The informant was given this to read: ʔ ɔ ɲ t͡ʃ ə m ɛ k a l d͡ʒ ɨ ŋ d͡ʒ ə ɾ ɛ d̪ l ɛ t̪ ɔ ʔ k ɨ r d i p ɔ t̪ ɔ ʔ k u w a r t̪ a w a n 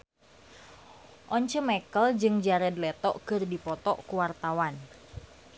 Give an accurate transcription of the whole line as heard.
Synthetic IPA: ʔ ɔ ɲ t͡ʃ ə m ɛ k ə l d͡ʒ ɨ ŋ d͡ʒ a ɾ ɛ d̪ l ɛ t̪ ɔ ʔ k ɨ r d i p ɔ t̪ ɔ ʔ k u w a r t̪ a w a n

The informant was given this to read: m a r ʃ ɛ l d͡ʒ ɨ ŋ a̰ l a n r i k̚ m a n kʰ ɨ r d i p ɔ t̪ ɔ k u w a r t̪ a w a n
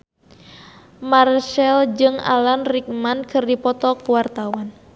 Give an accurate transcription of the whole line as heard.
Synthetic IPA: m a r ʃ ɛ l d͡ʒ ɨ ŋ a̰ l a n r i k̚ m a n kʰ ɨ r d i p ɔ t̪ ɔ k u w a r t̪ a w a n

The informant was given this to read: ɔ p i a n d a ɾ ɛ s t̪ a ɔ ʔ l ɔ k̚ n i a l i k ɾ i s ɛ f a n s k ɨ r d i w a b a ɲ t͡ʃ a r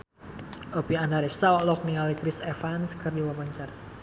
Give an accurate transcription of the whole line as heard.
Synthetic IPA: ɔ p i a n d a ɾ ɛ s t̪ a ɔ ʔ l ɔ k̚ n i a l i k ɾ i s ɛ f a n s k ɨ r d i w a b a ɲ t͡ʃ a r

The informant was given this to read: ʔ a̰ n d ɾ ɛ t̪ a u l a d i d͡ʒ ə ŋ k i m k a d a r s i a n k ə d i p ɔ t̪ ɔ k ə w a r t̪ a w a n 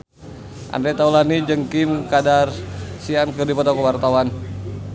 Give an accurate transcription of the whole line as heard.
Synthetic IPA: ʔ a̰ n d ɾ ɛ t̪ a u l a n i d͡ʒ ə ŋ k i m k a d a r s i a n k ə d i p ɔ t̪ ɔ k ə w a r t̪ a w a n

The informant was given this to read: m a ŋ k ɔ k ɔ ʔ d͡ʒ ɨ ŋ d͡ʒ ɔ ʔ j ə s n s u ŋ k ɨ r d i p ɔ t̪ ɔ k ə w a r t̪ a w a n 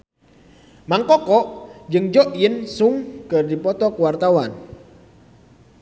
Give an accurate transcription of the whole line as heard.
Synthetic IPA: m a ŋ k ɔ k ɔ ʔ d͡ʒ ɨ ŋ d͡ʒ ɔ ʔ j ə n s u ŋ k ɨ r d i p ɔ t̪ ɔ k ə w a r t̪ a w a n

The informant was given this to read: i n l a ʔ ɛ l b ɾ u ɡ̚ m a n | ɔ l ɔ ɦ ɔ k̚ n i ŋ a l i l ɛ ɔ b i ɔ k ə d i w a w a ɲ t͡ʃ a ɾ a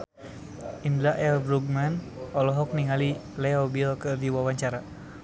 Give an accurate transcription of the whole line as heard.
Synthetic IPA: i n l a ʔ ɛ l b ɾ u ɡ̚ m a n | ɔ l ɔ ɦ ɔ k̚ n i ŋ a l i l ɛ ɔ b i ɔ k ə d i w a w a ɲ t͡ʃ a ɾ a

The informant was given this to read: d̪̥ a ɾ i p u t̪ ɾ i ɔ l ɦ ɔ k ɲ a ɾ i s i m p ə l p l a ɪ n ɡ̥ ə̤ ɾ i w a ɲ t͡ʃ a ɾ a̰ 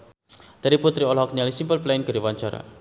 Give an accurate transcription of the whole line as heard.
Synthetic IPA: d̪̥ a ɾ i p u t̪ ɾ i ɔ l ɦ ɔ k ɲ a l i s i m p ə l p l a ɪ n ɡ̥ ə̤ ɾ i w a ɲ t͡ʃ a ɾ a̰

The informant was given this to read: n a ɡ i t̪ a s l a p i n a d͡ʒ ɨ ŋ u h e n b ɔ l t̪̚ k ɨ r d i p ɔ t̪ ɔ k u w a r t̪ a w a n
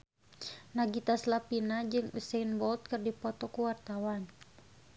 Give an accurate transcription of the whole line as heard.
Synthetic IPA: n a ɡ i t̪ a s l a p i n a d͡ʒ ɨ ŋ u s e n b ɔ l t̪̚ k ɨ r d i p ɔ t̪ ɔ k u w a r t̪ a w a n

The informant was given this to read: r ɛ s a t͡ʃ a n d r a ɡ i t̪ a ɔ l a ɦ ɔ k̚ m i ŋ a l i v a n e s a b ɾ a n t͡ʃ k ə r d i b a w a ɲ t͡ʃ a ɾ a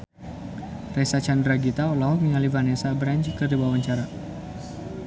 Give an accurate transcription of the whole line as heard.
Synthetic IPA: r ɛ s a t͡ʃ a n d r a ɡ i t̪ a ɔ l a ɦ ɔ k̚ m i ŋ a l i v a n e s a b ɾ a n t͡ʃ k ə r d i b a w a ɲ t͡ʃ a ɾ a

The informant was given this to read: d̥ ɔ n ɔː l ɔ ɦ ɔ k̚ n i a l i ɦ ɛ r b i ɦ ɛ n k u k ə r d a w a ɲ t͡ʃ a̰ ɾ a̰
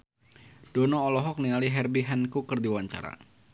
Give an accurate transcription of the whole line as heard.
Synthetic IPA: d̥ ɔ n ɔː l ɔ ɦ ɔ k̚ n i a l i ɦ ɛ r b i ɦ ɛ n k u k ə r d i w a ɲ t͡ʃ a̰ ɾ a̰

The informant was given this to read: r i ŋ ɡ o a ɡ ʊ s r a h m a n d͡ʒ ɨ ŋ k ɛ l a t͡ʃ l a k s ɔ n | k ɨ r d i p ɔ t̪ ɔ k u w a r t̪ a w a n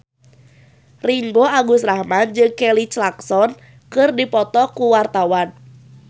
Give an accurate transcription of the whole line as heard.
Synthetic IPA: r i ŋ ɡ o a ɡ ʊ s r a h m a n d͡ʒ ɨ ŋ k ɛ l i t͡ʃ l a k s ɔ n | k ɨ r d i p ɔ t̪ ɔ k u w a r t̪ a w a n

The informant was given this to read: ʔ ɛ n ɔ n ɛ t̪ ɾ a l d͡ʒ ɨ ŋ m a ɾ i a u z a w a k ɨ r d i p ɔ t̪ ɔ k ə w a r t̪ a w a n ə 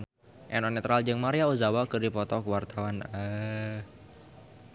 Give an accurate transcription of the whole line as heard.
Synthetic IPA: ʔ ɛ n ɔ n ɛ t̪ ɾ a l d͡ʒ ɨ ŋ m a ɾ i a u z a w a k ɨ r d i p ɔ t̪ ɔ k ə w a r t̪ a w a n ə

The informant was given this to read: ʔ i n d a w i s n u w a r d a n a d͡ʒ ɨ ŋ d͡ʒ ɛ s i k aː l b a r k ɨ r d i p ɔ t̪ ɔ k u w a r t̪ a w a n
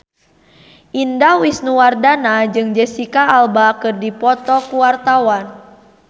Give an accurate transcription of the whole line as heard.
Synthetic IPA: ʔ i n d a w i s n u w a r d a n a d͡ʒ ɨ ŋ d͡ʒ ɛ s i k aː l b a k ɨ r d i p ɔ t̪ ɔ k u w a r t̪ a w a n

